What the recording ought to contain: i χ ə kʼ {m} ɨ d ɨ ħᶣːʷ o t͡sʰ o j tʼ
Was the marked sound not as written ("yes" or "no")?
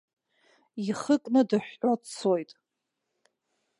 yes